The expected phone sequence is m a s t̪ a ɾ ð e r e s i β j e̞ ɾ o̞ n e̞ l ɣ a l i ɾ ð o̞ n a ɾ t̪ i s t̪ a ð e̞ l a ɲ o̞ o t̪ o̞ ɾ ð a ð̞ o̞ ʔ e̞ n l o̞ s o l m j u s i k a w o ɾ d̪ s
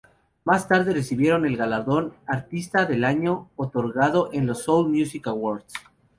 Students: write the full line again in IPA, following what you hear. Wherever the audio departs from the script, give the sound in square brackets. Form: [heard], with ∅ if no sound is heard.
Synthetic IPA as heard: m a s t̪ a ɾ ð e r e s i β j e̞ ɾ o̞ n e̞ l ɣ a l [a] ɾ ð o̞ n a ɾ t̪ i s t̪ a ð e̞ l a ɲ o̞ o t̪ o̞ ɾ [ɣ] a ð̞ o̞ ʔ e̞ n l o̞ s o l m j u s i k a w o ɾ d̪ s